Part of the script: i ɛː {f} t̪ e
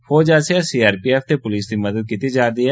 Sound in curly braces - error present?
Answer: no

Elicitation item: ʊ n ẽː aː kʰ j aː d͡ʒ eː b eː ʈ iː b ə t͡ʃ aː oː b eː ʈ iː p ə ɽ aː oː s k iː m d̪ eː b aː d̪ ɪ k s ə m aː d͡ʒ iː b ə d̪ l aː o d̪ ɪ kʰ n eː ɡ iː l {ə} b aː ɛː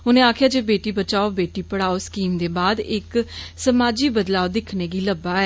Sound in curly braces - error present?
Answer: no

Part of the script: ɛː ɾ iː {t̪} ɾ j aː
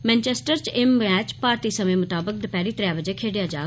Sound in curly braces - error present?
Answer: no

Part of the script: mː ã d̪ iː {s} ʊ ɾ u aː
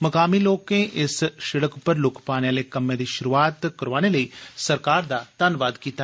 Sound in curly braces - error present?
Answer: yes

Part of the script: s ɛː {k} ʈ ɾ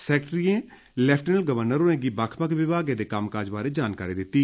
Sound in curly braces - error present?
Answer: no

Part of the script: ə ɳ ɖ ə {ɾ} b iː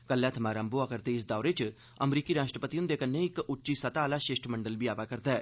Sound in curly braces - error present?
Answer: yes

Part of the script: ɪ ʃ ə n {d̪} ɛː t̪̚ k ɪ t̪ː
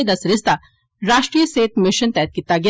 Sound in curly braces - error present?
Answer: yes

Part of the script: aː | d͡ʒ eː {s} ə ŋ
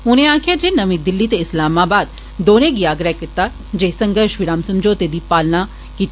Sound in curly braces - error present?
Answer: no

